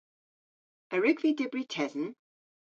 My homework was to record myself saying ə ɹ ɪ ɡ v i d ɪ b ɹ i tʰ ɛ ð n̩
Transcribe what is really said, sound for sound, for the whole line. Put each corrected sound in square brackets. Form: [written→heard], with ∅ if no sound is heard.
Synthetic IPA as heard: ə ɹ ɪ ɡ v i d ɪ b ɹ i tʰ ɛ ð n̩